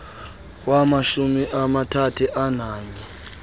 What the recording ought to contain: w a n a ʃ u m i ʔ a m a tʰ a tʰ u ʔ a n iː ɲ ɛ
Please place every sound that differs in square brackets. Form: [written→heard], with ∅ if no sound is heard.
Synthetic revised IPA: w a [n→m] a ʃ u m i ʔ a m a tʰ a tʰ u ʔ a n [iː→aː] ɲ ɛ